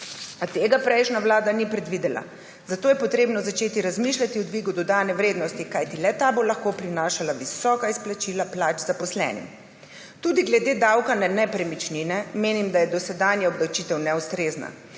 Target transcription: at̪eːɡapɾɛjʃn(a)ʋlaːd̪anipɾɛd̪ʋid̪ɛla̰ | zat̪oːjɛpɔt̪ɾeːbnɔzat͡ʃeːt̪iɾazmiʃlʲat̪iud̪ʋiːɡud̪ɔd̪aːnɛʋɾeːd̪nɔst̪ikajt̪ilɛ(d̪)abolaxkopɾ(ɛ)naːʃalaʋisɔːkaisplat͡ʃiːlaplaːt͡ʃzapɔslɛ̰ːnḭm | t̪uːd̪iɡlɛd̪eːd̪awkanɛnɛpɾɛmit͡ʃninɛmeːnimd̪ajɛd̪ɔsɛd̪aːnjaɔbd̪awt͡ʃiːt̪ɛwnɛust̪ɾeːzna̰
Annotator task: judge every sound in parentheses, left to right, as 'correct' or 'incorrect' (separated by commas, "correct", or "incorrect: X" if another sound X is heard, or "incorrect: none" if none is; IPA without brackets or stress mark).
correct, incorrect: t̪, incorrect: i